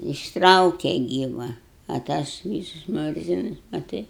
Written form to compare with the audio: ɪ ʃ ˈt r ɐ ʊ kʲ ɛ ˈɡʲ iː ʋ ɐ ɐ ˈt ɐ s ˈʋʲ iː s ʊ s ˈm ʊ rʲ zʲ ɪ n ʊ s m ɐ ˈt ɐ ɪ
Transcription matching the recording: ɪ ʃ ˈt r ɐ ʊ kʲ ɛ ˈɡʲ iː ʋ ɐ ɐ ˈt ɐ s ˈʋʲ iː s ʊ s ˈm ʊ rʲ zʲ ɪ n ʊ s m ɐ ˈt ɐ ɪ